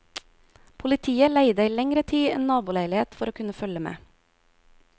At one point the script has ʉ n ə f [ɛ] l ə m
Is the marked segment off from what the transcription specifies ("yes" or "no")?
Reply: yes